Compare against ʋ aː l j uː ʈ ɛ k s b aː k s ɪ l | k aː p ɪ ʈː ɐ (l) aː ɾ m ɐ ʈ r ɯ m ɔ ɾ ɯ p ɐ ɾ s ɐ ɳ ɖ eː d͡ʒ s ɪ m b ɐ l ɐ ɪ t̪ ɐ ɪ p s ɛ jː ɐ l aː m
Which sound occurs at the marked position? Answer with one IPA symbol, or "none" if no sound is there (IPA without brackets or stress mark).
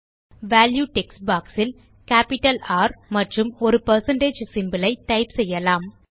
l